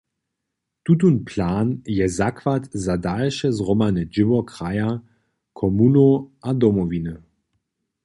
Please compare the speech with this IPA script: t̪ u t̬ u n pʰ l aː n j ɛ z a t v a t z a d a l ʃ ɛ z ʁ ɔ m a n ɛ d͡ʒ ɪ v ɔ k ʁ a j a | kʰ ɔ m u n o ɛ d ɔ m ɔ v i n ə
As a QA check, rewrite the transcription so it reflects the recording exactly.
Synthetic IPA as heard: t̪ u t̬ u n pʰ l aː n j ɛ z a k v a t z a d a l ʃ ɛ z ʁ ɔ m a n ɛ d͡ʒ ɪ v ɔ k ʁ a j a | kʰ ɔ m u n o a d ɔ m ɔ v i n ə